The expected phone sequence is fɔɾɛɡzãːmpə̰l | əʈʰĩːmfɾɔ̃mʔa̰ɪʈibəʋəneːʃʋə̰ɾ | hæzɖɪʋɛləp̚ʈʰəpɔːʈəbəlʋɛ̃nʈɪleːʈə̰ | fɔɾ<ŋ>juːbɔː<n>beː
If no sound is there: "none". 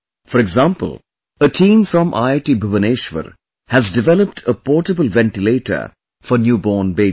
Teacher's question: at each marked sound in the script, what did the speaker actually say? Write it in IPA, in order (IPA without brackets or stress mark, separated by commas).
n, n